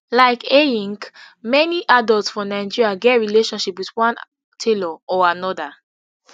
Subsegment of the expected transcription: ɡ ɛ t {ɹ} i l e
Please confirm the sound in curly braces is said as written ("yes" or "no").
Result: yes